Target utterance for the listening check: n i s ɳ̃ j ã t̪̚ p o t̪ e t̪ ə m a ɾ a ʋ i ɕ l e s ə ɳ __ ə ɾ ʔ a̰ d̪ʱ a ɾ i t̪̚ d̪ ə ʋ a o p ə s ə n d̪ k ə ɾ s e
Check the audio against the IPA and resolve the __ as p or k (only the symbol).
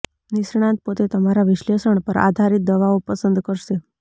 p